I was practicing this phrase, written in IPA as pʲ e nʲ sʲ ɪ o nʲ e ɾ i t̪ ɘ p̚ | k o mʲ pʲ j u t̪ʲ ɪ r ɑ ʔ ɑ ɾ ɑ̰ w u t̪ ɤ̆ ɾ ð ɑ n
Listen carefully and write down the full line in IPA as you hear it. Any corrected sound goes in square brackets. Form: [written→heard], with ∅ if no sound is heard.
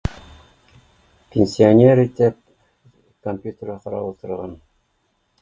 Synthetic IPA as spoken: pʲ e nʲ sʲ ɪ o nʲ e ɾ i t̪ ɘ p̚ | k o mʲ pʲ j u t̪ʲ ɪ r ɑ [ʔ→q] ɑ ɾ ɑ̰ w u t̪ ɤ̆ ɾ [ð→ʁ] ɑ n